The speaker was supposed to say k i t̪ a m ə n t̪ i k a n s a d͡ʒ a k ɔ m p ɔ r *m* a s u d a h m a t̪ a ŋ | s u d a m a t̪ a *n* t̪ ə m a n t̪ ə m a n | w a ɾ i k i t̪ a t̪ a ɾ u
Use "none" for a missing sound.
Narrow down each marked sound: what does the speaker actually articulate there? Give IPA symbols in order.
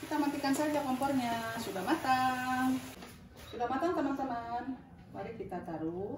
ɲ, ŋ

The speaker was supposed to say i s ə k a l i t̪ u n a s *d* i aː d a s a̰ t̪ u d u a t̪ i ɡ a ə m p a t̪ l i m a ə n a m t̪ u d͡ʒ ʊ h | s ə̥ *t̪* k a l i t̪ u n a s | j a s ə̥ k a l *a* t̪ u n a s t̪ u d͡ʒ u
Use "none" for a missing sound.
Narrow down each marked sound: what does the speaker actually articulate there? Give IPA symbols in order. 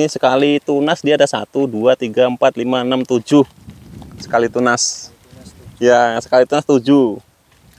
d, none, i

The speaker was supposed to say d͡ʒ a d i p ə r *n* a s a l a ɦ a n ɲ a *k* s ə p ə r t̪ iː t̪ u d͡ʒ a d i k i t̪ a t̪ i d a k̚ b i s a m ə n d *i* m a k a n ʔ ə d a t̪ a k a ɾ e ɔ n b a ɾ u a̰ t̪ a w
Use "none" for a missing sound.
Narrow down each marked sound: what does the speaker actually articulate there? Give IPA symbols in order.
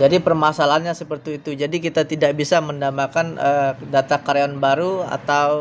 m, none, a

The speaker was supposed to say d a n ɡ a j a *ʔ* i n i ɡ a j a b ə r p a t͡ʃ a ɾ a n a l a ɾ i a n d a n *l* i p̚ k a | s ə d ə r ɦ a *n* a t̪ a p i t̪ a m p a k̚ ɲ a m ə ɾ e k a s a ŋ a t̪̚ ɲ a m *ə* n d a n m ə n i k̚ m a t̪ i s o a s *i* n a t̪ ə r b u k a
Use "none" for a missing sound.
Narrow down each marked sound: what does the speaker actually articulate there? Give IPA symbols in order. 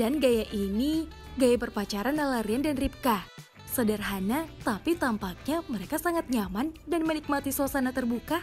ʔ, r, n, a, a

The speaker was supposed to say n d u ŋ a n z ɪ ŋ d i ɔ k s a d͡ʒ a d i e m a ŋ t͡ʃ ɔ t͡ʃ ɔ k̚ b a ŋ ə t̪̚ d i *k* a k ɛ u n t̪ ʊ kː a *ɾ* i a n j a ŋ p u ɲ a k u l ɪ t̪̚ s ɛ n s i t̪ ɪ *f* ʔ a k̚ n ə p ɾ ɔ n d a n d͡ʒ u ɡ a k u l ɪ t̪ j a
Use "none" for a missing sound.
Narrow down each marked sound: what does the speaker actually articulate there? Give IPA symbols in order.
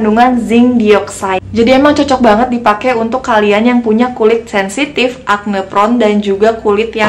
p, l, f

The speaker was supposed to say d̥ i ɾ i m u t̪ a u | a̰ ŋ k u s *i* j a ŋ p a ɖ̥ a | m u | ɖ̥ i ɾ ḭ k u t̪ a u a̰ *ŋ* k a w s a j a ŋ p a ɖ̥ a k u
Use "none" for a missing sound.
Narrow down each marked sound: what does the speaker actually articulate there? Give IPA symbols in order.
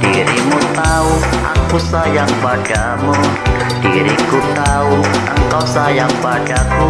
a, ŋ

